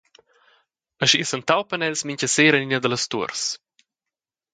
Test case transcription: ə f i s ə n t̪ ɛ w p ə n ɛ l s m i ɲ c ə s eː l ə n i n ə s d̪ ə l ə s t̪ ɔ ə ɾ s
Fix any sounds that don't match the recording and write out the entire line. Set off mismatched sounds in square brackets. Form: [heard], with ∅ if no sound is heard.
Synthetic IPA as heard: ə [ʃ] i s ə n t̪ [a] w p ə n ɛ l s m i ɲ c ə s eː [ɾ] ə n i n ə [∅] d̪ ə l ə s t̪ [u] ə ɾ s